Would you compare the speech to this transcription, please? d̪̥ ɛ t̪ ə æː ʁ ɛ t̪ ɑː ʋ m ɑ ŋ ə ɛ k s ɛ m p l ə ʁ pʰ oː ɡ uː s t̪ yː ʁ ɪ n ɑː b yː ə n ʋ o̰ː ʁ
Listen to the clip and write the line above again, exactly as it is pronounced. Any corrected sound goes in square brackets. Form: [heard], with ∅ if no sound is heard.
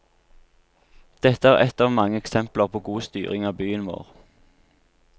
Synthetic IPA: d̪̥ ɛ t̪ ə æː ʁ ɛ t̪ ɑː ʋ m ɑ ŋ ə ɛ k s ɛ m p l ə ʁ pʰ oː ɡ uː s t̪ yː ʁ ɪ [ŋ] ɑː b yː ə n ʋ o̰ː ʁ